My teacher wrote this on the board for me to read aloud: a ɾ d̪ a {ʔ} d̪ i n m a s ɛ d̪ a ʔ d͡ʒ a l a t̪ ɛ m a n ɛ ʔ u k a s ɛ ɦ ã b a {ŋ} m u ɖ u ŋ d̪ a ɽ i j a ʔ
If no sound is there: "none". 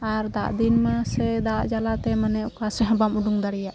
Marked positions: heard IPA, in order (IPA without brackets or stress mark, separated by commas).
ʔ, none